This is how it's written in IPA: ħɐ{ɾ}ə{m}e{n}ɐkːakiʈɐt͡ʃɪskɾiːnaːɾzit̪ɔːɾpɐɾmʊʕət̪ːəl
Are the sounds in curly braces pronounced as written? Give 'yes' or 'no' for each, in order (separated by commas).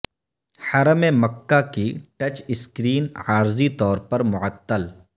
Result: yes, yes, no